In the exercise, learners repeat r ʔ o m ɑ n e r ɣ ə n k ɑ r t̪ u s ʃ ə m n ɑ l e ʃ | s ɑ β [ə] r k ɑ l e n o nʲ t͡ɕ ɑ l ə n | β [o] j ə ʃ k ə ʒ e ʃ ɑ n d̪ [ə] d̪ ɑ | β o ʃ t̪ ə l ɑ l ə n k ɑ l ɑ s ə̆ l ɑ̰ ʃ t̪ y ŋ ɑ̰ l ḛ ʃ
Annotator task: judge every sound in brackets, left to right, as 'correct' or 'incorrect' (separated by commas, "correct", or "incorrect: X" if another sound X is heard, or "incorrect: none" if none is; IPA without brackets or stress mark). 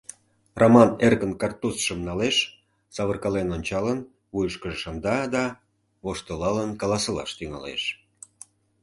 correct, incorrect: u, incorrect: ɑ